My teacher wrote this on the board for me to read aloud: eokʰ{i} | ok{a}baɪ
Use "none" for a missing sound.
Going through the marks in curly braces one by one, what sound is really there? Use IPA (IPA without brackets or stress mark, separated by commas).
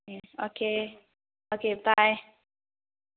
e, e